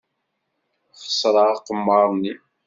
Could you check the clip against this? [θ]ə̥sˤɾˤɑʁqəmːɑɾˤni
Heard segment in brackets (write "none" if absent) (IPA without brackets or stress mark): χ